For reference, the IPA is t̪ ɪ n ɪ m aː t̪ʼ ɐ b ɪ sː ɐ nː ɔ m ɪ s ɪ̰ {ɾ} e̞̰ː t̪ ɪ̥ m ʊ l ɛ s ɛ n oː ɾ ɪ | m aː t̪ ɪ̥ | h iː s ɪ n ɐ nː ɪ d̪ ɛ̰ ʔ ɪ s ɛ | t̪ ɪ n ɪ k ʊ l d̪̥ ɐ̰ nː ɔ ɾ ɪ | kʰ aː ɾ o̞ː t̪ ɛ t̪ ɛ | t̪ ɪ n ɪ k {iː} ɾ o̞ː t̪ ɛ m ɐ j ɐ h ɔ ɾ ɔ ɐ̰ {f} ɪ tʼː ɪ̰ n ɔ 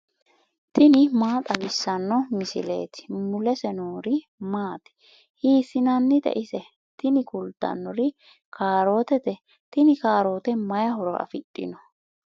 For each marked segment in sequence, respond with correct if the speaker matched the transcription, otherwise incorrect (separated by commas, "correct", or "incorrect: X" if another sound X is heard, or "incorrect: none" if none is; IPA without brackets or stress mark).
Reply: incorrect: l, incorrect: aː, correct